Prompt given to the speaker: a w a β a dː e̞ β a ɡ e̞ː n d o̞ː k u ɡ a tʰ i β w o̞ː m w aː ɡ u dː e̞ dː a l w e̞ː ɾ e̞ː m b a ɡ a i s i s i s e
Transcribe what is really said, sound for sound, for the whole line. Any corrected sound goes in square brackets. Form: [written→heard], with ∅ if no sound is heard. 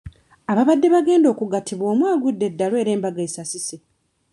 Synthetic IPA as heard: a [w→β] a β a dː e̞ β a ɡ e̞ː n d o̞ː k u ɡ a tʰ i β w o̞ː m w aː ɡ u dː e̞ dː a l w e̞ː ɾ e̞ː m b a ɡ a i s [i→a] s i s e